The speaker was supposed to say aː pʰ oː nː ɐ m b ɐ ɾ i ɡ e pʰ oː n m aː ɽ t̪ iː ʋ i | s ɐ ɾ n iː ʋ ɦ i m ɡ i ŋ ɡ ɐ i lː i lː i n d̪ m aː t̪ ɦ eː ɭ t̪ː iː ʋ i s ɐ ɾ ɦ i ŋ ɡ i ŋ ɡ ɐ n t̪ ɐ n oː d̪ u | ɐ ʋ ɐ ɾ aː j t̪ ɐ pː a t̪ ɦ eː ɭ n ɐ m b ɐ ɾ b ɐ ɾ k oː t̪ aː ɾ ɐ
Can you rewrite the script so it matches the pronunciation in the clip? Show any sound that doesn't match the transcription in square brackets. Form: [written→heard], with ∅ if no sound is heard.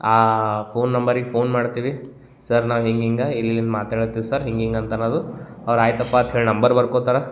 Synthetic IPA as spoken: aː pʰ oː nː ɐ m b ɐ ɾ i ɡ e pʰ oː n m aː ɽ t̪ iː ʋ i | s ɐ ɾ n [iː→aː] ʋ ɦ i [m→ŋ] ɡ i ŋ ɡ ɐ i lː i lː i n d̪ m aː t̪ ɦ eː ɭ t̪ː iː ʋ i s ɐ ɾ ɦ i ŋ ɡ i ŋ ɡ ɐ n t̪ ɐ n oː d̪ u | ɐ ʋ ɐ ɾ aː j t̪ ɐ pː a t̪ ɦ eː ɭ n ɐ m b ɐ ɾ b ɐ ɾ k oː t̪ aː ɾ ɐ